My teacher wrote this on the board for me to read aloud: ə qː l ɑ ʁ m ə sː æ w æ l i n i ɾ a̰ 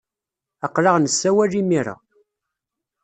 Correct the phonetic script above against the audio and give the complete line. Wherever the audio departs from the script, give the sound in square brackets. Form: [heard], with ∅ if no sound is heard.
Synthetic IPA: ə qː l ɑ ʁ [n] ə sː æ w æ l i [m] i ɾ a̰